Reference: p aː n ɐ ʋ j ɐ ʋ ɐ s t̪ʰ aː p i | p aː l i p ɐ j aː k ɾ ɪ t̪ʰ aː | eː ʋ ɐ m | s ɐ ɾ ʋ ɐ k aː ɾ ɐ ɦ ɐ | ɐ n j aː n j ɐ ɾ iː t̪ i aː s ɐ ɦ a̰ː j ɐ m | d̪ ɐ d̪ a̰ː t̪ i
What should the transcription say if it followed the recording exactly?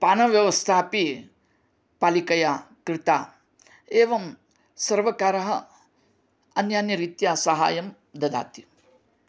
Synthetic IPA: p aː n ɐ ʋ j ɐ ʋ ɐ s t̪ʰ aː p i | p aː l i k ɐ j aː k ɾ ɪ t̪ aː | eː ʋ ɐ m | s ɐ ɾ ʋ ɐ k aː ɾ ɐ ɦ ɐ | ɐ n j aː n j ɐ ɾ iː t̪ j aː s ɐ ɦ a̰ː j ɐ m | d̪ ɐ d̪ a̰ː t̪ i